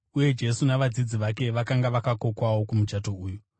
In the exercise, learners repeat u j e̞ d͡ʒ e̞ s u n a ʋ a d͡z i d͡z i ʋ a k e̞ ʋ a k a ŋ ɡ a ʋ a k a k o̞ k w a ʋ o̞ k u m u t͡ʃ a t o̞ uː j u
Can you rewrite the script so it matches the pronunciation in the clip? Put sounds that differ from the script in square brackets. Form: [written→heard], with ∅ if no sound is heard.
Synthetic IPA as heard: u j e̞ d͡ʒ e̞ s u n a ʋ a d͡z i d͡z i ʋ a k e̞ ʋ a k a ŋ ɡ a ʋ a k a k o̞ k w a [ʋ→w] o̞ k u m u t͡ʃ a t o̞ uː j u